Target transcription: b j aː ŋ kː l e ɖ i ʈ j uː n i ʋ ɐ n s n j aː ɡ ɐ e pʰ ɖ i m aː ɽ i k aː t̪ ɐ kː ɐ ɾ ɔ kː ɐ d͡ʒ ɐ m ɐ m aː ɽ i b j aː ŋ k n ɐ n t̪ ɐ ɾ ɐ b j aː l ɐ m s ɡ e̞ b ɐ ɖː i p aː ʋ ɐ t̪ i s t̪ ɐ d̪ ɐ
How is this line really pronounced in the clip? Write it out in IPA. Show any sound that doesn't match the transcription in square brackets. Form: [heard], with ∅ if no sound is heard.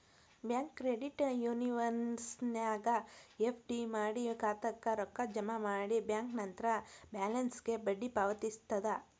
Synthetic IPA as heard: b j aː ŋ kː [ɾ] e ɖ i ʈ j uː n i ʋ ɐ n s n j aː ɡ ɐ e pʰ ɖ i m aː ɽ i k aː t̪ ɐ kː ɐ ɾ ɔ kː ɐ d͡ʒ ɐ m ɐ m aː ɽ i b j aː ŋ k n ɐ n t̪ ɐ ɾ ɐ b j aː l ɐ [n] s ɡ e̞ b ɐ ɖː i p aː ʋ ɐ t̪ i s t̪ ɐ d̪ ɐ